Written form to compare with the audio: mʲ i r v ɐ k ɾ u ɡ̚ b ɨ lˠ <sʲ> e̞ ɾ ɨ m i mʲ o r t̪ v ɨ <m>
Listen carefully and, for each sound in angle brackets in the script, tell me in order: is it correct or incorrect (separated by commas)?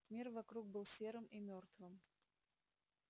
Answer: correct, correct